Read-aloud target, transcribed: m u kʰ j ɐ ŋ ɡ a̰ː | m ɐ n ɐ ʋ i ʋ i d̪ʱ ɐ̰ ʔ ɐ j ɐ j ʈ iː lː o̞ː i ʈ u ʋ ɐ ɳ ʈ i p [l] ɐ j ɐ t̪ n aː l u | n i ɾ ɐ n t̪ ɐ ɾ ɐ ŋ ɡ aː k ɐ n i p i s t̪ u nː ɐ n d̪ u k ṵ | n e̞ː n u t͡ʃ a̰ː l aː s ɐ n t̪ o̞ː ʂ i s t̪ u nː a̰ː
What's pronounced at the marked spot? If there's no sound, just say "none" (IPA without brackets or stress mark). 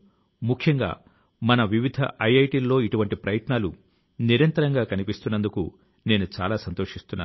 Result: ɾ